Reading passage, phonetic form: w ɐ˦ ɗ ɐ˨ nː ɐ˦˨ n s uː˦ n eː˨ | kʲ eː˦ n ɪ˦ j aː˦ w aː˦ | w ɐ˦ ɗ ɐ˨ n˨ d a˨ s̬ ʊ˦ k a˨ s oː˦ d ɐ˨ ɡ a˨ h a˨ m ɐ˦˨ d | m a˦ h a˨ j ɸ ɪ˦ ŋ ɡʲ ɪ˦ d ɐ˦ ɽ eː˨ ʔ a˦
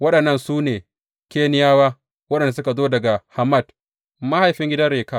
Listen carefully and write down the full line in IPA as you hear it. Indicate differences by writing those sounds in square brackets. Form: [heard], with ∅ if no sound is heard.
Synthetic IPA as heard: w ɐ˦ ɗ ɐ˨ nː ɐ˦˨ n s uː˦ n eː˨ | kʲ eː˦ n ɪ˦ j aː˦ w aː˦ | w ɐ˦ ɗ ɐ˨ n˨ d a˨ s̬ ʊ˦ k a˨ [z] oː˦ d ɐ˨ ɡ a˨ h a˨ m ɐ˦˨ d | m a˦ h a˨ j ɸ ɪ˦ ŋ ɡʲ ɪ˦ d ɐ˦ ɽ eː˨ [k] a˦